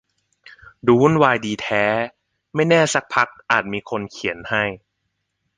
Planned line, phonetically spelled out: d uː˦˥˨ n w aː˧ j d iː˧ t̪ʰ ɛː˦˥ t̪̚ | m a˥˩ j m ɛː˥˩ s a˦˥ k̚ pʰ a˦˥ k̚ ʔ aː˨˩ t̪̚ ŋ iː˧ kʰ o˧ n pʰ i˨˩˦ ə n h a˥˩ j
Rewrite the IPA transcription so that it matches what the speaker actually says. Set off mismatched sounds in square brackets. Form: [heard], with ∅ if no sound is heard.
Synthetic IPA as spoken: d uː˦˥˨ n w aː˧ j d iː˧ t̪ʰ ɛː˦˥ [∅] | m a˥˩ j [n] ɛː˥˩ s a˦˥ k̚ pʰ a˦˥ k̚ ʔ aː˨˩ t̪̚ [m] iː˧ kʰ o˧ n [kʰ] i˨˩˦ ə n h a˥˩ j